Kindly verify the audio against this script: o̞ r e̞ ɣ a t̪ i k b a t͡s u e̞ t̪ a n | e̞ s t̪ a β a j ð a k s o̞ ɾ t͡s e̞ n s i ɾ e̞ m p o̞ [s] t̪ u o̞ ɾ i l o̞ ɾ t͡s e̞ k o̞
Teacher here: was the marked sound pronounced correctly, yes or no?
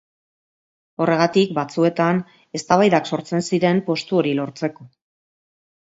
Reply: yes